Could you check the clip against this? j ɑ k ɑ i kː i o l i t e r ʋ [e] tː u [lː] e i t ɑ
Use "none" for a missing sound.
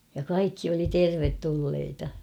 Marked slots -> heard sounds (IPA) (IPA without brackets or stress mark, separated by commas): e, lː